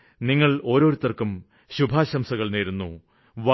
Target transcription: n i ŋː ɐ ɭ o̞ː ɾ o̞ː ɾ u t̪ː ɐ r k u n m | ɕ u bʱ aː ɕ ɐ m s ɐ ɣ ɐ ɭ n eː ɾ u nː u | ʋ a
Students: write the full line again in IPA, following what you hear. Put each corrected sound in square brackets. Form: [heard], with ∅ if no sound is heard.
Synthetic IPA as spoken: n i ŋː ɐ ɭ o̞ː ɾ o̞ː ɾ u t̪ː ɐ r k u [∅] m | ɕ u bʱ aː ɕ ɐ m s ɐ ɣ ɐ ɭ n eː ɾ u nː u | ʋ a